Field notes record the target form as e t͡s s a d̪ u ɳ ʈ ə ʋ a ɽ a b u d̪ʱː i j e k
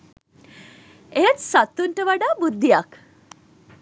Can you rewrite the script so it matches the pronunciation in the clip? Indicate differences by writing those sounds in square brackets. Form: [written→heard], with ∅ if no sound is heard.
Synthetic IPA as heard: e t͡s s a [d̪→t̪] u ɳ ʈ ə ʋ a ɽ a b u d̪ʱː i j [e→a] k